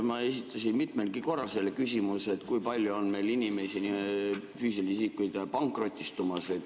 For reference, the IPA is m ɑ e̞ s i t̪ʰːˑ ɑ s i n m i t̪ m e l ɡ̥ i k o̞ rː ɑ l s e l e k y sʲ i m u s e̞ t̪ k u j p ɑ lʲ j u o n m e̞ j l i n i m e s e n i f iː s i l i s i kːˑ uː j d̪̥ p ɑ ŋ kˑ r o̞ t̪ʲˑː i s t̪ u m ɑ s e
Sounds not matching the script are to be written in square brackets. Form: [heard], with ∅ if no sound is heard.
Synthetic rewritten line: m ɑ e̞ s i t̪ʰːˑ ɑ s i n m i t̪ m e l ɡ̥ i k o̞ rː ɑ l s e l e k y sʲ i m u s e̞ t̪ k u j p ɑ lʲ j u o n m e̞ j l i n i m e s [i] n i f [yː] s i l i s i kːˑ [u] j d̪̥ p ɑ ŋ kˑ r o̞ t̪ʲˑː i s t̪ u m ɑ s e